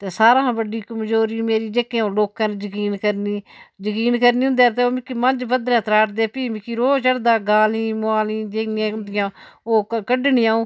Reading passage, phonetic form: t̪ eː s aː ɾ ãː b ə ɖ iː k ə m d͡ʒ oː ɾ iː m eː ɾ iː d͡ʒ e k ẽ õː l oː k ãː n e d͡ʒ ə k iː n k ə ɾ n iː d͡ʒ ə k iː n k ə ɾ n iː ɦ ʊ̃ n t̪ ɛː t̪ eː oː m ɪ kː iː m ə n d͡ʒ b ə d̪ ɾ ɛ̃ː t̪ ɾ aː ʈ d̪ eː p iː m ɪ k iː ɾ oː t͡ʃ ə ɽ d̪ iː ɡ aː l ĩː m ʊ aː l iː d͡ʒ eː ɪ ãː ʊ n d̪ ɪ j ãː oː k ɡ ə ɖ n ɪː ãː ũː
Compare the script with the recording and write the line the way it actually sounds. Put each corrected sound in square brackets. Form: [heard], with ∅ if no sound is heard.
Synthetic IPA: t̪ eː s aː ɾ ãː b ə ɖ iː k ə m d͡ʒ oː ɾ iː m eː ɾ iː d͡ʒ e k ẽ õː l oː k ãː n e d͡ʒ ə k iː n k ə ɾ n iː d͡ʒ ə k iː n k ə ɾ n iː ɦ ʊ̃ n [d̪] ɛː t̪ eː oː m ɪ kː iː m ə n d͡ʒ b ə d̪ ɾ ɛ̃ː t̪ ɾ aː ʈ d̪ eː p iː m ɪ k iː ɾ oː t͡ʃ ə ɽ d̪ [aː] ɡ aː l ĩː m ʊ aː l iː d͡ʒ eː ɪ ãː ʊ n d̪ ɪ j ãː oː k [k] ə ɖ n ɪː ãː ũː